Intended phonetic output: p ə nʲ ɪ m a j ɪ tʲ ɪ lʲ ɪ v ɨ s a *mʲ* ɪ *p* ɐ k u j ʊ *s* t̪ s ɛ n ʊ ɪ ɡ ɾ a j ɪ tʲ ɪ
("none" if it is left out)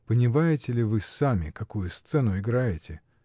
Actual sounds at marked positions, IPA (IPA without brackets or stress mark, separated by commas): mʲ, k, s